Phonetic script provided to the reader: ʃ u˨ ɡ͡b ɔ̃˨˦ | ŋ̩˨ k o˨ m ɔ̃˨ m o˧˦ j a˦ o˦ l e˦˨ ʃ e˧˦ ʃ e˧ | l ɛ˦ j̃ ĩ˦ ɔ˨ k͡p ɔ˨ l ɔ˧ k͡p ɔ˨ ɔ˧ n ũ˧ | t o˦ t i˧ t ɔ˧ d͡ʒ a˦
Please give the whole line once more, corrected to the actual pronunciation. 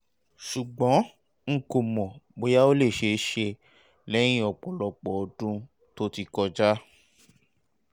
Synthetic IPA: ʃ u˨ ɡ͡b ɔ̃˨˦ | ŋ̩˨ k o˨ m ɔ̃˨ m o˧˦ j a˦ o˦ l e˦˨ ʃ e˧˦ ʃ e˧ | l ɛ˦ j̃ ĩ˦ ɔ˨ k͡p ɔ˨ l ɔ˧ k͡p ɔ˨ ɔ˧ d ũ˧ | t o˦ t i˧ k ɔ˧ d͡ʒ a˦